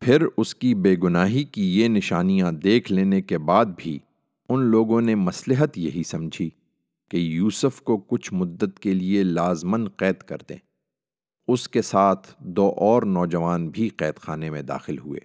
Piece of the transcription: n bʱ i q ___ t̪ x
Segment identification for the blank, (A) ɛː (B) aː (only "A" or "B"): A